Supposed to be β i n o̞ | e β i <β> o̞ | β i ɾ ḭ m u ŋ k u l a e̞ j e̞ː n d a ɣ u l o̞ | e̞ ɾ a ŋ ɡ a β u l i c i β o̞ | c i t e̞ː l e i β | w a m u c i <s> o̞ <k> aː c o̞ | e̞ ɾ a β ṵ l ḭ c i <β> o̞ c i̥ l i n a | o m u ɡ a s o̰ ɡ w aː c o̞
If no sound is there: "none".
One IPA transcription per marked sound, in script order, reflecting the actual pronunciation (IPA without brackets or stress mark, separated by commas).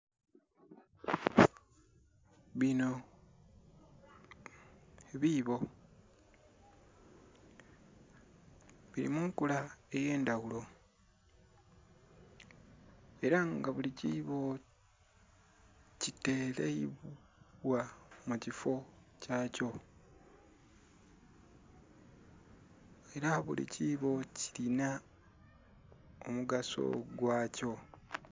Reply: β, f, c, β